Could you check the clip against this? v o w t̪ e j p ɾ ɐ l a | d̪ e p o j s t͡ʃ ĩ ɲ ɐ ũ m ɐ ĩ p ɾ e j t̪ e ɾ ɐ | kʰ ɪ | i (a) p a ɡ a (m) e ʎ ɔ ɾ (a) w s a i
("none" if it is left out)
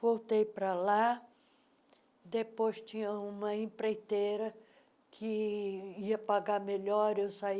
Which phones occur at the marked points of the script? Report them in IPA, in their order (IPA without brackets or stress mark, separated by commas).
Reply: ɐ, m, e